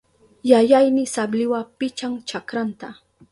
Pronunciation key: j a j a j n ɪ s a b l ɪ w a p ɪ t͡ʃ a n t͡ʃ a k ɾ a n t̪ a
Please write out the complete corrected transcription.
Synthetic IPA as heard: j a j a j n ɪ s a b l ɪ w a p ɪ t͡ʃ a ŋ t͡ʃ a k ɾ a n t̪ a